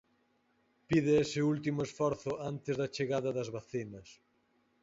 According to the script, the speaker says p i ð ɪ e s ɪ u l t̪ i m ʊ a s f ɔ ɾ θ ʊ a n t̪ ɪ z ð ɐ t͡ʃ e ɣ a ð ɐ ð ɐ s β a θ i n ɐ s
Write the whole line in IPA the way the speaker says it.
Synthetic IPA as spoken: p i ð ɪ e s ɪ u l t̪ i m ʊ e s f ɔ ɾ θ ʊ a n t̪ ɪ z ð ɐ t͡ʃ e ɣ a ð ɐ ð ɐ z β a θ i n ɐ s